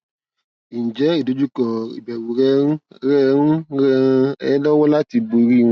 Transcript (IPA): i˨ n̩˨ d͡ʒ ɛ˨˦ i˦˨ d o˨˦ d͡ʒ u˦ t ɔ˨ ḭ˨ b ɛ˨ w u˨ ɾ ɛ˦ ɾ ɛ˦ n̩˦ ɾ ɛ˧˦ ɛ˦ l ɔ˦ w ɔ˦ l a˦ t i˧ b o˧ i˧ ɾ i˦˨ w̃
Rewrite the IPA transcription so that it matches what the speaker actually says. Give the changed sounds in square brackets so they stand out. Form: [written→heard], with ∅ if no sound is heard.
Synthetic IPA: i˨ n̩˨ d͡ʒ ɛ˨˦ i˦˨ d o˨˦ d͡ʒ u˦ [t→k] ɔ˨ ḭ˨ b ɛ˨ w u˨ ɾ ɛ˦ ɾ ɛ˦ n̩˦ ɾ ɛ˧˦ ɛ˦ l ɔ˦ w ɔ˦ l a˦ t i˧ b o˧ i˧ ɾ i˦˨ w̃